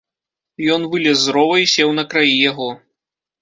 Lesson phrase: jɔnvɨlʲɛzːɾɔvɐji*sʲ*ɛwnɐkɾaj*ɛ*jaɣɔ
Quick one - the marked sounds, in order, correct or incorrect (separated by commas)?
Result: correct, incorrect